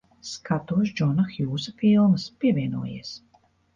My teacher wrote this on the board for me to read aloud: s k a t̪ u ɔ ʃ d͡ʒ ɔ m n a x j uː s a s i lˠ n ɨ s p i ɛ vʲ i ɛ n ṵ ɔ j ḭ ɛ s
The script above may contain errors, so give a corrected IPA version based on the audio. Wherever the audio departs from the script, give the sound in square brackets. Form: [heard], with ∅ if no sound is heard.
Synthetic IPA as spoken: s k a t̪ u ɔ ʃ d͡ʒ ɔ [∅] n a x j uː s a [f] i lˠ [m] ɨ s p i ɛ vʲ i ɛ n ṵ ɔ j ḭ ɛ s